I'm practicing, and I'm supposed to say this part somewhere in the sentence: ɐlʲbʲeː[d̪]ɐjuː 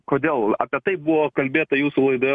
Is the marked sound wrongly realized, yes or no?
yes